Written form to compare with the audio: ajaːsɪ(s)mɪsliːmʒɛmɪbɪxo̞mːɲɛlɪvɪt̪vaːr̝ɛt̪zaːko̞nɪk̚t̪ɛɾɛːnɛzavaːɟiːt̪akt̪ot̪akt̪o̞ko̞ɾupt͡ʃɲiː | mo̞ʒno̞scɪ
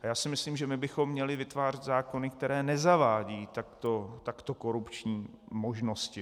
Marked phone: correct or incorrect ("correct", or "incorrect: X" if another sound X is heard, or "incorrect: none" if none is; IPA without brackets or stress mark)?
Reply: incorrect: none